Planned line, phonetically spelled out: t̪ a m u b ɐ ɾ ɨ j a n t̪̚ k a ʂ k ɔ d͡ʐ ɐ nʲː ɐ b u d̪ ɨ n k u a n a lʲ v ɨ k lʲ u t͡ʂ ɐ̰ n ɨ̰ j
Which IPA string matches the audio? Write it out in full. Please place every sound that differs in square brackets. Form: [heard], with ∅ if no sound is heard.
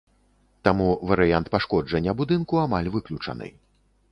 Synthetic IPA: t̪ a m u [v] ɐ ɾ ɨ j a n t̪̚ [p] a ʂ k ɔ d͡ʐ ɐ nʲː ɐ b u d̪ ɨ n k u a [m] a lʲ v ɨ k lʲ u t͡ʂ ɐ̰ n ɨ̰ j

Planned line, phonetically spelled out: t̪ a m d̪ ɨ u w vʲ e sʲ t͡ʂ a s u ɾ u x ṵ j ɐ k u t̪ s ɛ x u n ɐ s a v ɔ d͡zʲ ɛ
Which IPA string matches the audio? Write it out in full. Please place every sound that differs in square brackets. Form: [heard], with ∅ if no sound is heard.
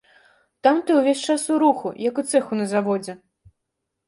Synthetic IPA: t̪ a m [t̪] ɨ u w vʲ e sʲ t͡ʂ a s u ɾ u x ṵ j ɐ k u t̪ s ɛ x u n ɐ [z] a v ɔ d͡zʲ ɛ

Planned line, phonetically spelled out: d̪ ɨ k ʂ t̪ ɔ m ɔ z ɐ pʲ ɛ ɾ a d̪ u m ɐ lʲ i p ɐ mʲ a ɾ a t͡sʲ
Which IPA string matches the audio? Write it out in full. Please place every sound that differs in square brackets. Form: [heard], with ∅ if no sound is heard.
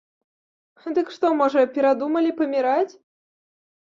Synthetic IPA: d̪ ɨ k ʂ t̪ ɔ m ɔ [ʐ] ɐ pʲ ɛ ɾ a d̪ u m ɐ lʲ i p ɐ mʲ [i] ɾ a t͡sʲ

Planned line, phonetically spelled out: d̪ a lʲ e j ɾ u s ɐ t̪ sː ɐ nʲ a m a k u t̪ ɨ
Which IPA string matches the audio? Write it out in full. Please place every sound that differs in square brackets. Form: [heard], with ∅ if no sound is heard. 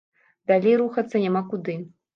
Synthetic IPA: d̪ a lʲ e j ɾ u [x] ɐ t̪ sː ɐ nʲ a m a k u [d̪] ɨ

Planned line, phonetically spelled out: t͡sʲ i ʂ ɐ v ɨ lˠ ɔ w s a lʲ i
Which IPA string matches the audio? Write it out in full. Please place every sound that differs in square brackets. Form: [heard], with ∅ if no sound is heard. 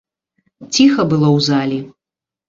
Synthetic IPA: t͡sʲ i [x] ɐ [b] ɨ lˠ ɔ w [z] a lʲ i

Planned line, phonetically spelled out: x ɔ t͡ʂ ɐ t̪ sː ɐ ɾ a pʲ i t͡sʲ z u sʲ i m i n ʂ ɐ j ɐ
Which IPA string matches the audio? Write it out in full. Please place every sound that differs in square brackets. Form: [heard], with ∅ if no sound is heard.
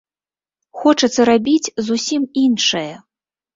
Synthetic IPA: x ɔ t͡ʂ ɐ t̪ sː ɐ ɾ a [bʲ] i t͡sʲ z u sʲ i m i n ʂ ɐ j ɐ

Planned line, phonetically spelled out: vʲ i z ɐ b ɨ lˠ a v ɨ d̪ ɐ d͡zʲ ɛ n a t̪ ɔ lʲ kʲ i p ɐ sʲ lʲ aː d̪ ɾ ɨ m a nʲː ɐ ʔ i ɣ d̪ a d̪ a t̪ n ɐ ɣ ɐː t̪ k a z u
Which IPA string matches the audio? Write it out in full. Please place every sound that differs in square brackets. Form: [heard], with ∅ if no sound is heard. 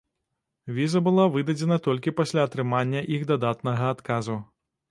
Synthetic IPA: vʲ i z ɐ b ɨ lˠ a v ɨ d̪ ɐ d͡zʲ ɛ n [ɐ] t̪ ɔ lʲ kʲ i p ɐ sʲ lʲ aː [t̪] ɾ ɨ m a nʲː ɐ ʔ i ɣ d̪ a d̪ a t̪ n ɐ ɣ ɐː t̪ k a z u

